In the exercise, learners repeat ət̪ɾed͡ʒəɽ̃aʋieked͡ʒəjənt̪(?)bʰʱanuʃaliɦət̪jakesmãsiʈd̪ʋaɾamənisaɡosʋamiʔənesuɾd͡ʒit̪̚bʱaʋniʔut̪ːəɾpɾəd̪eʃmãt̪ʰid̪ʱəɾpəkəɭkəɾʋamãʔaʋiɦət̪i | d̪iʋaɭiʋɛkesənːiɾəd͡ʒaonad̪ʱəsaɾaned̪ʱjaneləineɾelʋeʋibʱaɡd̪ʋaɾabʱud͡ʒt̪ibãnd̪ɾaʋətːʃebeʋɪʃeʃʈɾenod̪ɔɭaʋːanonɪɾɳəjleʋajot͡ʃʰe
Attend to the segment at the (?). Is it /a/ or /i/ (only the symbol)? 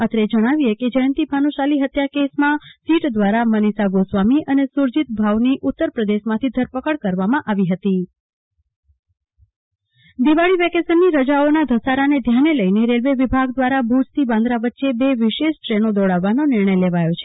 i